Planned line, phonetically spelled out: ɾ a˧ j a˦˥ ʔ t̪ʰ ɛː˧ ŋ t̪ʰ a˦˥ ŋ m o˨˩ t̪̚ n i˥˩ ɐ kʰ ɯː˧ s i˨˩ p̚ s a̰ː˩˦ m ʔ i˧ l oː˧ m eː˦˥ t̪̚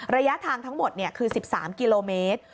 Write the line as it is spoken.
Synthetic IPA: ɾ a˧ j a˦˥ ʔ t̪ʰ aː˧ ŋ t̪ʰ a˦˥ ŋ m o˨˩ t̪̚ n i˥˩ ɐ kʰ ɯː˧ s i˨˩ p̚ s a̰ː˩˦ m k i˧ l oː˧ m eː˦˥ t̪̚